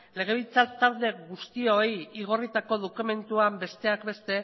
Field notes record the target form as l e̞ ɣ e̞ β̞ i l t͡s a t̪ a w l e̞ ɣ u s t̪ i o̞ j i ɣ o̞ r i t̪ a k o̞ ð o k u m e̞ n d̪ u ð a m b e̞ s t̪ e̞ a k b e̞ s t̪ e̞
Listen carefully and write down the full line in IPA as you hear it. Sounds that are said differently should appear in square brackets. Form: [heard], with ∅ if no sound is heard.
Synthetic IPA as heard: l e̞ ɣ e̞ β̞ i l t͡s a t̪ a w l e̞ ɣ u s t̪ i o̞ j i ɣ o̞ r i t̪ a k o̞ ð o k u m e̞ n [t̪] u [∅] a m b e̞ s t̪ e̞ a k b e̞ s t̪ e̞